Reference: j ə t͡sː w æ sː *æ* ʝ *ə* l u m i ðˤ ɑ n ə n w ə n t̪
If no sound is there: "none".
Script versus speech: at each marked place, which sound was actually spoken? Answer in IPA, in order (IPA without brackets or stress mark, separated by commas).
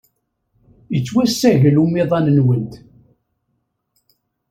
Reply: æ, ə